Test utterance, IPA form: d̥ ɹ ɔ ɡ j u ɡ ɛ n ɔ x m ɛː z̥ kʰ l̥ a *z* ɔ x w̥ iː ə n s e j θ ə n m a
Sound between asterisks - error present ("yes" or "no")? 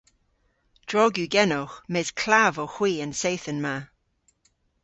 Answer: yes